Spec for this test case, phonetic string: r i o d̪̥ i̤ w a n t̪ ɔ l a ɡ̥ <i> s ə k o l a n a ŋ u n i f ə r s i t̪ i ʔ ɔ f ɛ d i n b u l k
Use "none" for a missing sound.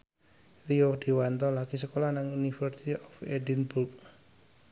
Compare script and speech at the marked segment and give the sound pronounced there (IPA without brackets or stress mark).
i